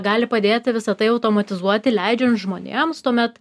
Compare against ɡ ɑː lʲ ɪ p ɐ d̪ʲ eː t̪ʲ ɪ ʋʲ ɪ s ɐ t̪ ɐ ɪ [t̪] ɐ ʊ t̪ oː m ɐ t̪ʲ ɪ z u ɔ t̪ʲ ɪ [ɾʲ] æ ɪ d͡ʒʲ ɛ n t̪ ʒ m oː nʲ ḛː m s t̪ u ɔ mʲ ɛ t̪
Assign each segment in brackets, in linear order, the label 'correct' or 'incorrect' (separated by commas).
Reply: incorrect, incorrect